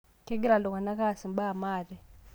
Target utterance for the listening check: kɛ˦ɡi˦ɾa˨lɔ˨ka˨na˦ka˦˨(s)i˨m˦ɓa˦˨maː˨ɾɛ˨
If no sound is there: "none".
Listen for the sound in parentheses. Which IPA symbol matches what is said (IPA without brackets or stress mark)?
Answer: s